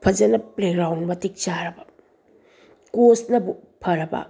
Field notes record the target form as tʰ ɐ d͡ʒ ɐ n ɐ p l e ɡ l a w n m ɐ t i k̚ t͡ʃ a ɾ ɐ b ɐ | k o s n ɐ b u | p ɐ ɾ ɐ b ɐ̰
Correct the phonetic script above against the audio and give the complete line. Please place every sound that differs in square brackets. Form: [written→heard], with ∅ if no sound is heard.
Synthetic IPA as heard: [tʰ→pʰ] ɐ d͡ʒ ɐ n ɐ p l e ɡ [l→ɾ] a w n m ɐ t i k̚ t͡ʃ a ɾ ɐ b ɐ | k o s n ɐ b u | [p→pʰ] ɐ ɾ ɐ b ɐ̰